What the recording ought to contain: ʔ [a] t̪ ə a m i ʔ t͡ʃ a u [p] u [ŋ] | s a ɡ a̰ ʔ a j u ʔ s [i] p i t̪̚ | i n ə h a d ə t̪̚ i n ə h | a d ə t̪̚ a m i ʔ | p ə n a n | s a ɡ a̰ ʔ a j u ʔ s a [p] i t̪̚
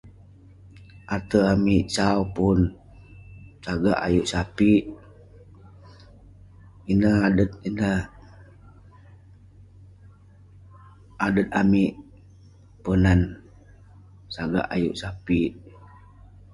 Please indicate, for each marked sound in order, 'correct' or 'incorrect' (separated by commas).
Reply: correct, correct, incorrect, incorrect, correct